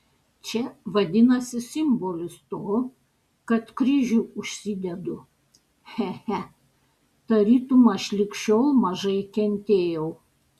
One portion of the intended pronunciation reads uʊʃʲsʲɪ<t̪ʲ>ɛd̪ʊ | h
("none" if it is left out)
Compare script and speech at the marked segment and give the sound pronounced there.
d̪ʲ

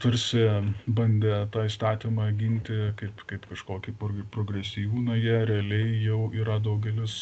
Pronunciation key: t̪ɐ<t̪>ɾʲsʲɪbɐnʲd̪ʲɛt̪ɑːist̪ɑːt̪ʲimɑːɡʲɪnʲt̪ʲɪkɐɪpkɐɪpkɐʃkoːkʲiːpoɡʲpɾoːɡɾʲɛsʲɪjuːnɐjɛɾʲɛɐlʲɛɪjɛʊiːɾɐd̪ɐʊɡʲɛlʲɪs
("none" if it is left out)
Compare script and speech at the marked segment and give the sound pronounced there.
none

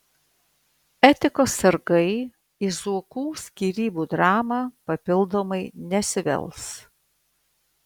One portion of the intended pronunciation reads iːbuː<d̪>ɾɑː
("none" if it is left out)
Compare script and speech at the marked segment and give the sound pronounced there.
d̪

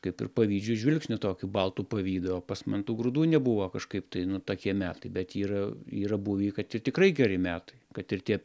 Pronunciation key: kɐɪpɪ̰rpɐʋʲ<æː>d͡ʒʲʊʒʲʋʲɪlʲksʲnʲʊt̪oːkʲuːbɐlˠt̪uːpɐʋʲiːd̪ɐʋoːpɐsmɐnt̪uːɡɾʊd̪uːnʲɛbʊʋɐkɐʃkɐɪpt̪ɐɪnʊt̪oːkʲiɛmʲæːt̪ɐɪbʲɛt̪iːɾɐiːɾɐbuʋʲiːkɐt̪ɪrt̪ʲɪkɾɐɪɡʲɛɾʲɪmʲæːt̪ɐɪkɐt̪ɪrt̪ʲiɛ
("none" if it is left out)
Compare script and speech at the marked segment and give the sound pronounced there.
iː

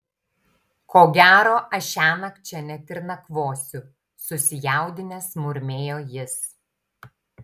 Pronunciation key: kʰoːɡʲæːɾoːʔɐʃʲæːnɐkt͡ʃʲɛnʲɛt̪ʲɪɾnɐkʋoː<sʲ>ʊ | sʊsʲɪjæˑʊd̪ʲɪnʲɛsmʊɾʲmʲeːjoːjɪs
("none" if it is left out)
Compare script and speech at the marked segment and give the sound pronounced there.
sʲ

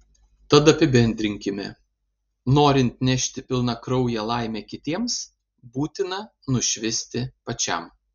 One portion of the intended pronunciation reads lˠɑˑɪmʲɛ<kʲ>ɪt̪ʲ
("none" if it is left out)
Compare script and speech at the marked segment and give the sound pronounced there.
kʲ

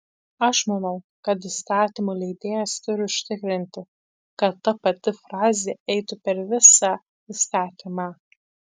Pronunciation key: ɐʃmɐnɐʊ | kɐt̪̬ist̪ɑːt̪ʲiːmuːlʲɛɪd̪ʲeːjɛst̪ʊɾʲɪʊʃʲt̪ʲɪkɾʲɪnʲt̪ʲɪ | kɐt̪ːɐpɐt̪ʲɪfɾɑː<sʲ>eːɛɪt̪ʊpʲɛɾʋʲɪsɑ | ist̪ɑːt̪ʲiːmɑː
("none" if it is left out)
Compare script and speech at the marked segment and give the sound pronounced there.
zʲ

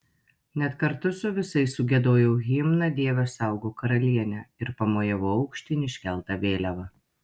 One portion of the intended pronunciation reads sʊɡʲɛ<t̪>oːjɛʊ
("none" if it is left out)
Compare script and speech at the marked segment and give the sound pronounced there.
d̪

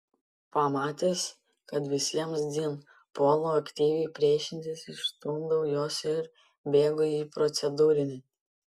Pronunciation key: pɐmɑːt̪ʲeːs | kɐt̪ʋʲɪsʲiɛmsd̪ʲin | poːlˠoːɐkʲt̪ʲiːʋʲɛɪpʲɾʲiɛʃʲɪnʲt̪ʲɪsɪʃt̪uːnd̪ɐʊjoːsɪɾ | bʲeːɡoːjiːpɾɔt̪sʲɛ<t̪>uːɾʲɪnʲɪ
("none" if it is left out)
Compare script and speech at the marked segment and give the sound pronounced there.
d̪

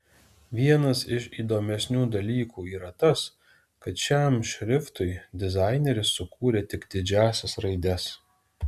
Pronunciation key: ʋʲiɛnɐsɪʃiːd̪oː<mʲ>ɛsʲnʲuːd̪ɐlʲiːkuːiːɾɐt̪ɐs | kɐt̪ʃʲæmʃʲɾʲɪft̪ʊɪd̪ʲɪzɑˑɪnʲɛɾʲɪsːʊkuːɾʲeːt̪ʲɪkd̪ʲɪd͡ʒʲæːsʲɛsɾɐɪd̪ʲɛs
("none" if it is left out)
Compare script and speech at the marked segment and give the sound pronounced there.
mʲ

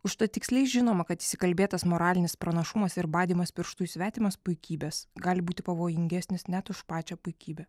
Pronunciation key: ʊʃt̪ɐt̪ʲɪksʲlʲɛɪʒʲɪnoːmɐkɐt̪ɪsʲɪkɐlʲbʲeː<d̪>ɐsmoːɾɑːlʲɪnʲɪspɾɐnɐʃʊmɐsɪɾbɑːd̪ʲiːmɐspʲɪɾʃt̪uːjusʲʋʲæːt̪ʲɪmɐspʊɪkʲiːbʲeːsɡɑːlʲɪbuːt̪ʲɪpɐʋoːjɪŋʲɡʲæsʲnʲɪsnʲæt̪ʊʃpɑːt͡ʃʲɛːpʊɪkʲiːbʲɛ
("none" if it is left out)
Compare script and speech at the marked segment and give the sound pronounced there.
t̪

